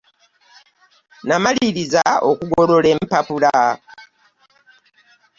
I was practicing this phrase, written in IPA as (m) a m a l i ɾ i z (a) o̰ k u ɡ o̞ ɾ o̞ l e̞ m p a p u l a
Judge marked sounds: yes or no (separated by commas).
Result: no, yes